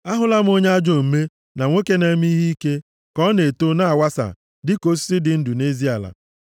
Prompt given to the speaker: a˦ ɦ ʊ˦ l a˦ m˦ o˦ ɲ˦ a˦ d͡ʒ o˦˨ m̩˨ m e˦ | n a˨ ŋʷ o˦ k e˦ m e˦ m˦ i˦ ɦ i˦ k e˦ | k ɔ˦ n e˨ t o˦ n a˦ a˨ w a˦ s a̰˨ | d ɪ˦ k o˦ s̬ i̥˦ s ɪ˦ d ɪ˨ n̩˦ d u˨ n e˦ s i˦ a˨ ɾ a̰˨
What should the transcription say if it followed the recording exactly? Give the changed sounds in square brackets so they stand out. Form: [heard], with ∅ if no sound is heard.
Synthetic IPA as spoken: a˦ ɦ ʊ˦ l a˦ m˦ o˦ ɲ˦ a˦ d͡ʒ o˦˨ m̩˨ m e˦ | n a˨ ŋʷ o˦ k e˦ [n] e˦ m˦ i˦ ɦ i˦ k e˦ | k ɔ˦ n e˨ t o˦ n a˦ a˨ w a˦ s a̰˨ | d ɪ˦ k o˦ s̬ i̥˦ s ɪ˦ d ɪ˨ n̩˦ d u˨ n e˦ [z] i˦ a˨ [l] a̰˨